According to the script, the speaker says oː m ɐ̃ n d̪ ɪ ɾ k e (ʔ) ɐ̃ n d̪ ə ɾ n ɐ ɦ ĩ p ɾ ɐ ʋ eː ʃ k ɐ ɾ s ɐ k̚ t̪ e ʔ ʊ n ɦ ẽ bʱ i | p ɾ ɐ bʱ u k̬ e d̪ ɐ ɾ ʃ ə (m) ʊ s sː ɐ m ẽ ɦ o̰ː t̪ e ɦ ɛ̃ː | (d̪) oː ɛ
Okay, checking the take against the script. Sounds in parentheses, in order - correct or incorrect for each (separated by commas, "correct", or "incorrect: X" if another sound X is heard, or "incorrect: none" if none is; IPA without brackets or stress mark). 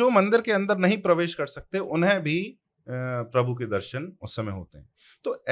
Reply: incorrect: none, incorrect: n, incorrect: t̪